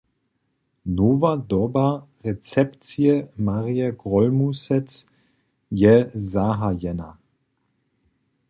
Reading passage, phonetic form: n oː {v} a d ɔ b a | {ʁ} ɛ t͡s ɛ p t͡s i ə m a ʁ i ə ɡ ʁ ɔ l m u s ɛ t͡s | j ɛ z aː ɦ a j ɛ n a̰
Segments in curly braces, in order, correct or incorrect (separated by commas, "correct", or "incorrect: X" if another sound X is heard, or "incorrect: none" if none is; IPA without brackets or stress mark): correct, correct